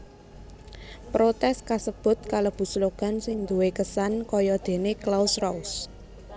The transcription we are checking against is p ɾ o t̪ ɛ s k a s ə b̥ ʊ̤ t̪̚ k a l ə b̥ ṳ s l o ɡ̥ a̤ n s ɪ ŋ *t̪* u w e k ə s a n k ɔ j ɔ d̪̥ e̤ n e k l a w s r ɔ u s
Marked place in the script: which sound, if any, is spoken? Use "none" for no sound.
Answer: d̪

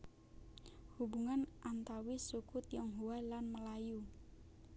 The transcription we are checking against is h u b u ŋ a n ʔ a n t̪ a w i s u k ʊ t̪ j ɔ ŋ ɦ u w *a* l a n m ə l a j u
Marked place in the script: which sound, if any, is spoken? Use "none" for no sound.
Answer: a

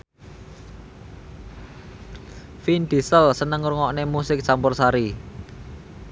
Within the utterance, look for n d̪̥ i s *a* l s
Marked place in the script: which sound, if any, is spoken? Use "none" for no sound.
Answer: ə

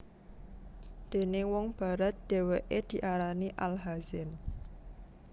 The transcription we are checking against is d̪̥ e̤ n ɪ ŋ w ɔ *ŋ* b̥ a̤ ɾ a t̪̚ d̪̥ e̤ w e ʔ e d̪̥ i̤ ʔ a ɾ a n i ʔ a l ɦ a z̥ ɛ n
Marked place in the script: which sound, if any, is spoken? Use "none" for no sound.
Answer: ŋ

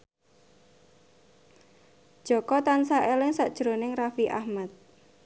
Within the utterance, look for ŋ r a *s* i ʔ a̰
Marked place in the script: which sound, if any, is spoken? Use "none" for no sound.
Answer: f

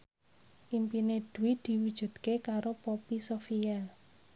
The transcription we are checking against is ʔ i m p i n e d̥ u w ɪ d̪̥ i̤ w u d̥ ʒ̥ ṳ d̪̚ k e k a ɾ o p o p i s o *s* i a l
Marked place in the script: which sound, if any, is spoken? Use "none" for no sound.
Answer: f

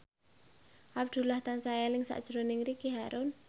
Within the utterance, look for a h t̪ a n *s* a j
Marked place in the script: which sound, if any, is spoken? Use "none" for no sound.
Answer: s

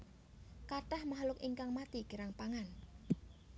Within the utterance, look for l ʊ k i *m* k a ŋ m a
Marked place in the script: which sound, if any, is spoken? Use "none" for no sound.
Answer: ŋ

